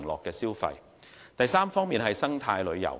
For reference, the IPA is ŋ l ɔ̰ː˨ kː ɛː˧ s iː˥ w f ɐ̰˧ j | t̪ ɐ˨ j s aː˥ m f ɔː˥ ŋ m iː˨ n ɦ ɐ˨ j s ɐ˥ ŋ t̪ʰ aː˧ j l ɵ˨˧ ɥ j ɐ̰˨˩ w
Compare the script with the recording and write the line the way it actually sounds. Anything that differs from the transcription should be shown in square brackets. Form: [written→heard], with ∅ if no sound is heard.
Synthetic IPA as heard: ŋ l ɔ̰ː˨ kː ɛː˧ s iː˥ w f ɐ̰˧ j | t̪ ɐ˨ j s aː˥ m f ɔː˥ ŋ m iː˨ n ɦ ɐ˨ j s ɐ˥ ŋ t̪ʰ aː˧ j l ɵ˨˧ ɥ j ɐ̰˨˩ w